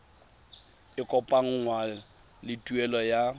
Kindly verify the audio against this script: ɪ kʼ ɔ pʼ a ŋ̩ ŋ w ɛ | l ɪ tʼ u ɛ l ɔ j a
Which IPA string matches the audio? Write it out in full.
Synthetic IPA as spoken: ɪ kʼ ɔ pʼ a ŋ̩ ŋ w a | l ɪ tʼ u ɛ l ɔ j a